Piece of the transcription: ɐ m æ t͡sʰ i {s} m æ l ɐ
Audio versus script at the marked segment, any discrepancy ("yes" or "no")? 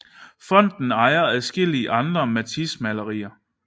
no